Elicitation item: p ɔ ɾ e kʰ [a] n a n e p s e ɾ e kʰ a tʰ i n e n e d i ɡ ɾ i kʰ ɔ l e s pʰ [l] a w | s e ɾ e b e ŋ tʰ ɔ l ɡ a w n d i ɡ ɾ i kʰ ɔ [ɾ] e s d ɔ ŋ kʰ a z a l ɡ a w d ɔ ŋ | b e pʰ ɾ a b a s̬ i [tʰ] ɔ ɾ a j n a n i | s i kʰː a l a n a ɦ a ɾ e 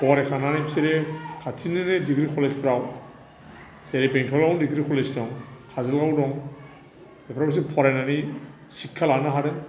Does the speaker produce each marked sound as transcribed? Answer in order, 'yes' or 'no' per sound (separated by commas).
yes, no, no, no